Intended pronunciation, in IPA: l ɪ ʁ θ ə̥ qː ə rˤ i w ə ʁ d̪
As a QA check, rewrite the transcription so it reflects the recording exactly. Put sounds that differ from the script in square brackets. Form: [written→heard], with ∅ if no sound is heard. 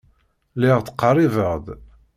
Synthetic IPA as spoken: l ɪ ʁ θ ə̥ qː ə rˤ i [w→v] ə ʁ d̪